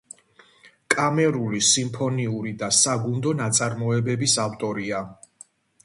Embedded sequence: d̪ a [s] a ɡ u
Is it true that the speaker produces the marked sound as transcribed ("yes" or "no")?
yes